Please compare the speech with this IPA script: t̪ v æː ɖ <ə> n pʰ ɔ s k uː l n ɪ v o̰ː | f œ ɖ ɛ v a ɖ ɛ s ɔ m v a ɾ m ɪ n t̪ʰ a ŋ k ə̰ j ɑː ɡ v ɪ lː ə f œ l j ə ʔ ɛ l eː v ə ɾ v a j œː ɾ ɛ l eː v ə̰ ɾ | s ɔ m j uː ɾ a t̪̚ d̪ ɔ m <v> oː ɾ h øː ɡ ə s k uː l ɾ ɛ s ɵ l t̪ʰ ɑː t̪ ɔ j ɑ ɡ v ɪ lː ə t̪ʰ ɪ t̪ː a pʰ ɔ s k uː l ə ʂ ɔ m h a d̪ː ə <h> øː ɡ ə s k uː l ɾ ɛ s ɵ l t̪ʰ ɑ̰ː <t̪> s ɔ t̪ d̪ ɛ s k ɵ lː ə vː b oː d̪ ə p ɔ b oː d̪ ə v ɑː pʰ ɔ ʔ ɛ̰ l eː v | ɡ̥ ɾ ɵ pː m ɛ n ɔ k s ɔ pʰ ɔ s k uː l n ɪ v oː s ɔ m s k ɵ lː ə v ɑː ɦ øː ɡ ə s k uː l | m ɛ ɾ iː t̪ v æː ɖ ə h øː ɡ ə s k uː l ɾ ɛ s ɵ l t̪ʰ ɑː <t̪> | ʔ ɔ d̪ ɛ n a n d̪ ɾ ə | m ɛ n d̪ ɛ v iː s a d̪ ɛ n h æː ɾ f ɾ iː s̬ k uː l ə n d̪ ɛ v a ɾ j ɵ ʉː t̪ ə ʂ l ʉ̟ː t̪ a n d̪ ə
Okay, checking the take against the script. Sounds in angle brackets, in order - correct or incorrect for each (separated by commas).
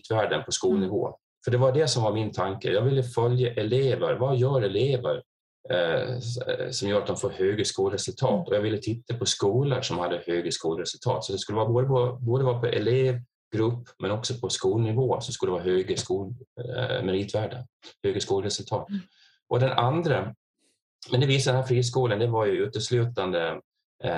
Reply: correct, incorrect, correct, correct, correct